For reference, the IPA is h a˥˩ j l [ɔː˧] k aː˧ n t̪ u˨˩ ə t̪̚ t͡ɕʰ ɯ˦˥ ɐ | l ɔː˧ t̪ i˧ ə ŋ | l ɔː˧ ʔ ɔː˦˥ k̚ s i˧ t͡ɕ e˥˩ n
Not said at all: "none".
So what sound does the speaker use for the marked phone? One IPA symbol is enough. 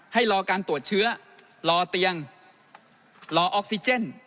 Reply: ɔː˧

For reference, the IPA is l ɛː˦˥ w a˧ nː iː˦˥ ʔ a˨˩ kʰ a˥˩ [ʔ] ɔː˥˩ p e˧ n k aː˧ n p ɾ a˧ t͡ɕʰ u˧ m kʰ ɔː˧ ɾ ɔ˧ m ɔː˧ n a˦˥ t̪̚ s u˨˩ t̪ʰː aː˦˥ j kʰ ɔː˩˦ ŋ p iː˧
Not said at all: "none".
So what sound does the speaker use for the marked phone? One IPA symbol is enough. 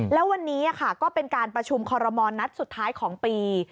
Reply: k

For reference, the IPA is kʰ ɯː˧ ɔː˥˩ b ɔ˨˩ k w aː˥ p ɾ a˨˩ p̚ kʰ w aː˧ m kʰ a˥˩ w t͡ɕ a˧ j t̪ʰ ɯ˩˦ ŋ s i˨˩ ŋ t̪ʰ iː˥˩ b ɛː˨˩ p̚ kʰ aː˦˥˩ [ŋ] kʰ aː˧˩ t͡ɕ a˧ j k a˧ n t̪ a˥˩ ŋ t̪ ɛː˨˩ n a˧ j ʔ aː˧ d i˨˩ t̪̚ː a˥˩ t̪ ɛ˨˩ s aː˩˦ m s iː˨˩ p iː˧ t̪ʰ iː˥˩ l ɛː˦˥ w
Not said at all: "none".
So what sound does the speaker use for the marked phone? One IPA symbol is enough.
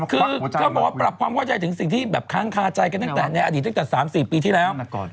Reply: ŋ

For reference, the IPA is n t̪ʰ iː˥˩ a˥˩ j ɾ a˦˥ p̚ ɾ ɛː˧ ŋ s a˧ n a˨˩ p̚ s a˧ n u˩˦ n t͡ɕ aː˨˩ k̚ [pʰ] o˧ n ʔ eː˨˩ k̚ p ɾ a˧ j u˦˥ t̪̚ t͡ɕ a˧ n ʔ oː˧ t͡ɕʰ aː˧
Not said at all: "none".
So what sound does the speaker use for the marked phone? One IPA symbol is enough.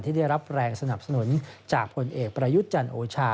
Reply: pʰ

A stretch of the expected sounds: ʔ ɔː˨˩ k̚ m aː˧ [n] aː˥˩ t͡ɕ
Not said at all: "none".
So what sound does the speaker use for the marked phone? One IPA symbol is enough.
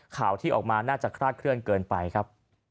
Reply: n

